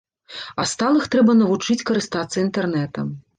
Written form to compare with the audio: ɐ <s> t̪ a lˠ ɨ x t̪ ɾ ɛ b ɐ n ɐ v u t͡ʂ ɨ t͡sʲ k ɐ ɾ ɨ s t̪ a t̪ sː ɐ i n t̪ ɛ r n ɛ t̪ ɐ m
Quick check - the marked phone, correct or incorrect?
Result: correct